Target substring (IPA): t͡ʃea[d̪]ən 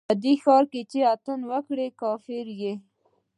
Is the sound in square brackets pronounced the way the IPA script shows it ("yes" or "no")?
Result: no